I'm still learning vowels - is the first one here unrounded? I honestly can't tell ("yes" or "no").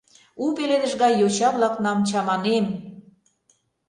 no